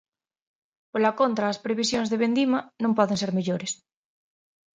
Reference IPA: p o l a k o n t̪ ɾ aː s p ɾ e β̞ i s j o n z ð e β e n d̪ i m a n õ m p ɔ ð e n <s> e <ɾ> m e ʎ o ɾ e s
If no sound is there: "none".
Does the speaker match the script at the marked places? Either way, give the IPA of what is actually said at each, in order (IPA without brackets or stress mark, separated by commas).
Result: s, ɾ